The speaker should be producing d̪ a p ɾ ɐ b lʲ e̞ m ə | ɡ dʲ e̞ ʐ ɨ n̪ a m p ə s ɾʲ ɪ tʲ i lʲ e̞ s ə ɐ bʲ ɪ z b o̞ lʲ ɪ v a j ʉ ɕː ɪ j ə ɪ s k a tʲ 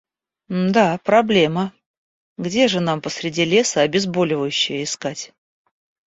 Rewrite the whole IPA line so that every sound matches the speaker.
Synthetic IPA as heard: d̪ a p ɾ ɐ b lʲ e̞ m ə | ɡ dʲ e̞ ʐ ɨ n̪ a m p ə s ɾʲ ɪ dʲ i lʲ e̞ s ə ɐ bʲ ɪ z b o̞ lʲ ɪ v ə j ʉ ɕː ɪ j ə ɪ s k a tʲ